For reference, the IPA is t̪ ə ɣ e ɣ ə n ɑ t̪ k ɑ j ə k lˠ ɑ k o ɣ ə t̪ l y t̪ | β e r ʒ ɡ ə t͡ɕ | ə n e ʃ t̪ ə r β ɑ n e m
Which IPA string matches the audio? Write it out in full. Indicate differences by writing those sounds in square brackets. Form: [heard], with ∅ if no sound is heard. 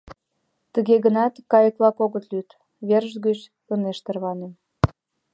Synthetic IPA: t̪ ə ɣ e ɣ ə n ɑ t̪ k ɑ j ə k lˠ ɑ k o ɣ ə t̪ l y t̪ | β e r ʒ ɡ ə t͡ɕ | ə n e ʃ t̪ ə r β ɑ n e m